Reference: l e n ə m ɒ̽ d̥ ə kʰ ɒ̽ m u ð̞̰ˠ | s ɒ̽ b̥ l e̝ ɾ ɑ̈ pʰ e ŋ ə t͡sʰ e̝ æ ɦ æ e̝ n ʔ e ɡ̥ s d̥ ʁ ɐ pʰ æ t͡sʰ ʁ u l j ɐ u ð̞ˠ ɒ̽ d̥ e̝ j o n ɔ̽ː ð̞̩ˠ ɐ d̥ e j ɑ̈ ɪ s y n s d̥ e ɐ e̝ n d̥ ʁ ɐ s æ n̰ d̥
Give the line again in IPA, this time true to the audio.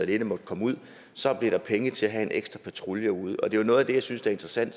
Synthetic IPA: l e n ə m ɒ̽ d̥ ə kʰ ɒ̽ m u ð̞̰ˠ | s ɒ̽ b̥ l e̝ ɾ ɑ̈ pʰ e ŋ ə t͡sʰ e̝ æ ɦ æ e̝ n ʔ e ɡ̥ s d̥ ʁ ɐ pʰ æ t͡sʰ ʁ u l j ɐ u ð̞ˠ ɒ̽ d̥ e̝ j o n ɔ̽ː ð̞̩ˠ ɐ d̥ e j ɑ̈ ɪ s y n s d̥ e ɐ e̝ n d̥ ʁ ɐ s æ n̰ d̥